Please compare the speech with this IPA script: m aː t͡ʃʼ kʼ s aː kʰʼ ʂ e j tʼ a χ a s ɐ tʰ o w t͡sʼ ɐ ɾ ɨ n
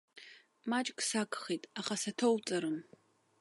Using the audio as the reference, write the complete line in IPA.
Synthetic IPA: m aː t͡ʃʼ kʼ s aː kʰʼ χ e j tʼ a χ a s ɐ tʰ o w t͡sʼ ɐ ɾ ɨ m

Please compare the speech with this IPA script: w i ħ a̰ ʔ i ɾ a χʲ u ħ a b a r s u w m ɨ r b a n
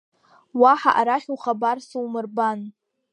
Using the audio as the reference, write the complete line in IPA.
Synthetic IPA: w a ħ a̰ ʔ a ɾ a χʲ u χ a b a r s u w m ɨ r b a n

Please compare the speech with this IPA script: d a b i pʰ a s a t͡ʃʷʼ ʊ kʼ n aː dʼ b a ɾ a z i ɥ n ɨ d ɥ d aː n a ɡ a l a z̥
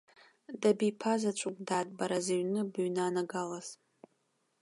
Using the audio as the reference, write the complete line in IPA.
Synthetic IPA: d a b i pʰ a z a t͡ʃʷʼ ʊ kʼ d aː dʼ b a ɾ a z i ɥ n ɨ b ɥ n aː n a ɡ a l a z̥

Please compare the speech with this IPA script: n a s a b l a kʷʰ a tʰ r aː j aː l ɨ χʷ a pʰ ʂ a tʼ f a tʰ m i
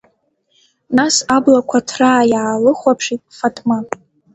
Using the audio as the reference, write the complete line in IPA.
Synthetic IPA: n a s a b l a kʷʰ a tʰ r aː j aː l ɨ χʷ a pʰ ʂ i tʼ f a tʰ m a

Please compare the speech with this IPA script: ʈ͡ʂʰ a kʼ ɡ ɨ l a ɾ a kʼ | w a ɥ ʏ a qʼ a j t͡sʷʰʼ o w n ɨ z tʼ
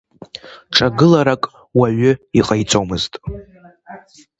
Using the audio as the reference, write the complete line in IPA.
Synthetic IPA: ʈ͡ʂʰ a ɡ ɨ l a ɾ a kʼ | w a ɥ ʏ i qʼ a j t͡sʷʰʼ o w m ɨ z tʼ

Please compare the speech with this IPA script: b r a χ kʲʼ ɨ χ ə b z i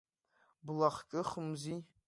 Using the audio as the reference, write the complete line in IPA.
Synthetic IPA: b l a χ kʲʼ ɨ χ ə m z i

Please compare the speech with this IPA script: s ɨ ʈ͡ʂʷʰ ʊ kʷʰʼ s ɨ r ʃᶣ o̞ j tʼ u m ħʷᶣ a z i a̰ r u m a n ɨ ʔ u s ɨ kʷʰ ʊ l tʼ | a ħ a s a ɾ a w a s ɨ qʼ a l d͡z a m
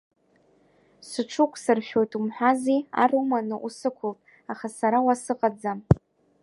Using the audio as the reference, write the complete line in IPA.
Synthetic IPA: s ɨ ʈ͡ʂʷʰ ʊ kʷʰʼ s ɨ r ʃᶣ o̞ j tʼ u m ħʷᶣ a z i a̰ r u m a n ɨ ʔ u s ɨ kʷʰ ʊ l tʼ | a χ a s a ɾ a w a s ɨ qʼ a d͡z a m

